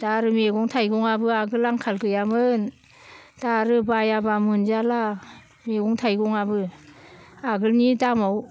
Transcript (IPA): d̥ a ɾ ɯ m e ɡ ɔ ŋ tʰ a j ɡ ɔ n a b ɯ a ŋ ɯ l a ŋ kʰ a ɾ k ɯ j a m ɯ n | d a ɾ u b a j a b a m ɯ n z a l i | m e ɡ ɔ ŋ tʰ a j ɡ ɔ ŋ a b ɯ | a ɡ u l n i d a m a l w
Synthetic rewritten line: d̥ a ɾ ɯ m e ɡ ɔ ŋ tʰ a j ɡ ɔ ŋ a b ɯ a ɡ ɯ l a ŋ kʰ a l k ɯ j a m ɯ n | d a ɾ ɯ b a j a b a m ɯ n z a l a | m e ɡ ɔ ŋ tʰ a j ɡ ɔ ŋ a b ɯ | a ɡ ɯ l n i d a m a w

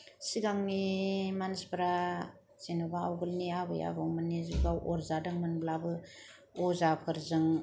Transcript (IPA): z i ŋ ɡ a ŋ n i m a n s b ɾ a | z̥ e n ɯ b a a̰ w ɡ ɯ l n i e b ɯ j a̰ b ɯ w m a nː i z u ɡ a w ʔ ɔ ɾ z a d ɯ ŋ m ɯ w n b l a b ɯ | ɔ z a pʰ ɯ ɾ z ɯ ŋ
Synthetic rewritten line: s i ɡ a ŋ n i m a n s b ɾ a | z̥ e n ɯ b a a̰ w ɡ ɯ l n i a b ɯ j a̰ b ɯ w m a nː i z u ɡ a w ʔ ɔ ɾ z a d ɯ ŋ m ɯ n b l a b ɯ | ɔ z a pʰ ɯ ɾ z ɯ ŋ

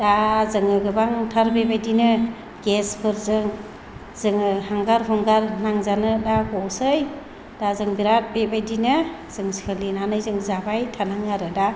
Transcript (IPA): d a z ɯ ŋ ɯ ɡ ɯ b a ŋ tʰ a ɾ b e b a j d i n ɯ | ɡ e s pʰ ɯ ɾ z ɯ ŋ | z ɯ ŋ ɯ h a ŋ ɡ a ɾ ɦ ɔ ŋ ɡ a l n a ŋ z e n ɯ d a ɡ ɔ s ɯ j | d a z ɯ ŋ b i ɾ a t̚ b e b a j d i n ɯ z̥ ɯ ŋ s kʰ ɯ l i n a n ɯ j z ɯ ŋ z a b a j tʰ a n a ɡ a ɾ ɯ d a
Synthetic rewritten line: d a z ɯ ŋ ɯ ɡ ɯ b a ŋ tʰ a ɾ b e b a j d i n ɯ | ɡ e s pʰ ɯ ɾ z ɯ ŋ | z ɯ ŋ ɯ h a ŋ ɡ a ɾ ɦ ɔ ŋ ɡ a ɾ n a ŋ z a n ɯ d a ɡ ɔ s ɯ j | d a z ɯ ŋ b i ɾ a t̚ b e b a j d i n ɯ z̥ ɯ ŋ s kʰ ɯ l i n a n ɯ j z ɯ ŋ z a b a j tʰ a n a ŋ a ɾ ɯ d a

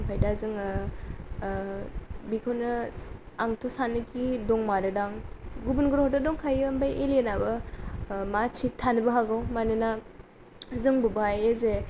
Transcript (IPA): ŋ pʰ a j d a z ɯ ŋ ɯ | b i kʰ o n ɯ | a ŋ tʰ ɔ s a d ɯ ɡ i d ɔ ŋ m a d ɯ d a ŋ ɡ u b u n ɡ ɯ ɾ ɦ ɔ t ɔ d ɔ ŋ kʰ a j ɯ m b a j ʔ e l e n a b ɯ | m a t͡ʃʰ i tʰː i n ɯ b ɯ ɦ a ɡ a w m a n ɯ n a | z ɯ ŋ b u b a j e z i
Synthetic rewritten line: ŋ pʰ a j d a z ɯ ŋ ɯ | b i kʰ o n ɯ | a ŋ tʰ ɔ s a n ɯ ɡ i d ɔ ŋ m a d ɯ d a ŋ ɡ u b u n ɡ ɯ ɾ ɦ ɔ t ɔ d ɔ ŋ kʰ a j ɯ m b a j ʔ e l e n a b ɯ | m a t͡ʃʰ i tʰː a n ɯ b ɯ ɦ a ɡ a w m a n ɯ n a | z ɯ ŋ b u b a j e z e

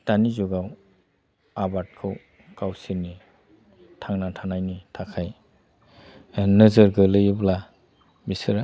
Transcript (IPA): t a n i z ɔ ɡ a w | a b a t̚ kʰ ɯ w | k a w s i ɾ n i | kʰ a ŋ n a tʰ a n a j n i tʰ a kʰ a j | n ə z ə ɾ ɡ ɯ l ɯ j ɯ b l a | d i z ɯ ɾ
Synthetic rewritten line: t a n i z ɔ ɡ a w | a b a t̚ kʰ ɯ w | k a w s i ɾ n i | tʰ a ŋ n a tʰ a n a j n i tʰ a kʰ a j | n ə z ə ɾ ɡ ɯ l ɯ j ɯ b l a | b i s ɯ ɾ

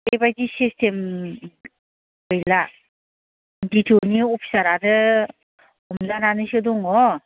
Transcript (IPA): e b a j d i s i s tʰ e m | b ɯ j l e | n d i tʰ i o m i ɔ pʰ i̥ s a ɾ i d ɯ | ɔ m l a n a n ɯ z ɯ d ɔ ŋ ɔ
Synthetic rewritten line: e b a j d i s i s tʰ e m | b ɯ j l a | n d i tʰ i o n i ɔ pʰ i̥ s a ɾ a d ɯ | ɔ m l a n a n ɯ s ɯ d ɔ ŋ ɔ

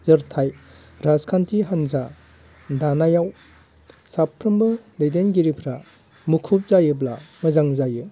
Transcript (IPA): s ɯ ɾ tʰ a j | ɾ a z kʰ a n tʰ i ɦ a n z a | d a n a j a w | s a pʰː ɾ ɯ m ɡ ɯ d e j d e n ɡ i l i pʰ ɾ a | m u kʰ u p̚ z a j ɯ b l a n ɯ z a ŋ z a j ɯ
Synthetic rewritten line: z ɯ ɾ tʰ a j | ɾ a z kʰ a n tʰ i ɦ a n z a | d a n a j a w | s a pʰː ɾ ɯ m b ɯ d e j d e n ɡ i ɾ i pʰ ɾ a | m u kʰ u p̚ z a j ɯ b l a m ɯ z a ŋ z a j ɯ

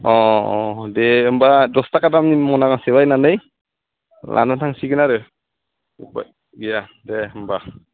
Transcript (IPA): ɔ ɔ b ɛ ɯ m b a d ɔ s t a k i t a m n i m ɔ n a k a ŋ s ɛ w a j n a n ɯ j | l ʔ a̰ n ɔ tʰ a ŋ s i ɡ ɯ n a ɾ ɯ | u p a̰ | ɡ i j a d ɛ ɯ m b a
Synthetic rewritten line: ɔ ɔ d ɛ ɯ m b a d ɔ s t a k a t a m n i m ɔ n a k a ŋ s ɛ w a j n a n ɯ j | l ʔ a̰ n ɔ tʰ a ŋ s i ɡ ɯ n a ɾ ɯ | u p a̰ | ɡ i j a d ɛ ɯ m b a

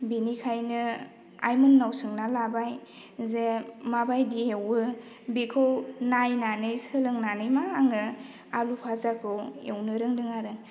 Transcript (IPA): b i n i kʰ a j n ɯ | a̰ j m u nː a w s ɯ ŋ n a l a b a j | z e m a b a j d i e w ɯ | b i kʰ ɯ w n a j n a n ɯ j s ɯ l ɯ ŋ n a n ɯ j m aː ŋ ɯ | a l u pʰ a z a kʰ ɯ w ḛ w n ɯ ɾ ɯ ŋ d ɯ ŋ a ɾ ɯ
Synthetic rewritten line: b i n i kʰ a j n ɯ | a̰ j m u nː a w s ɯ ŋ n a l a b a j | z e m a b a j d i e w ɯ | b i kʰ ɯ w n a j n a n ɯ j s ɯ l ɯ ŋ n a n ɯ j m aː ŋ ɯ | a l u pʰ a z a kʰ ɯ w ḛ w n ɯ ɾ ɯ ŋ d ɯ ŋ a ɾ ɯ

